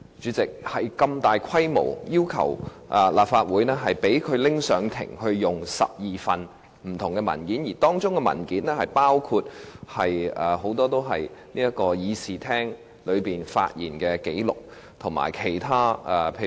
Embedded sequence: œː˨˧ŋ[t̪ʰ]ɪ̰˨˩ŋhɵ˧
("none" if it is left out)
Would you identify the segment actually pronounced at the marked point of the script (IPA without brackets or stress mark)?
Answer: t̪ʰ